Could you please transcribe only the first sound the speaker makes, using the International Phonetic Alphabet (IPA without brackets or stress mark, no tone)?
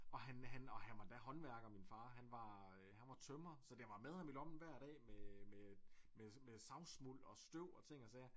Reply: ɒ̽